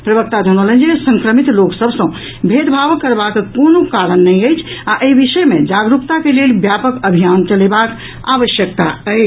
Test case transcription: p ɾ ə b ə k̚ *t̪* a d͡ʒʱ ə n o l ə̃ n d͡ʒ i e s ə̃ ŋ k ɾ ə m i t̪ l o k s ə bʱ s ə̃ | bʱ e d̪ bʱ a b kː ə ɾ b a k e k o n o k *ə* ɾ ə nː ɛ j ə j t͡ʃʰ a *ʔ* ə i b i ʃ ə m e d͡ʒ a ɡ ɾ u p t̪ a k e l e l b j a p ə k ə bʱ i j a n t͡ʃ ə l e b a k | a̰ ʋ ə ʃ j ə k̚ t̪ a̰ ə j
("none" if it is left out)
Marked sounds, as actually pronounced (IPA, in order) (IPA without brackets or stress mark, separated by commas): t̪, a, ʔ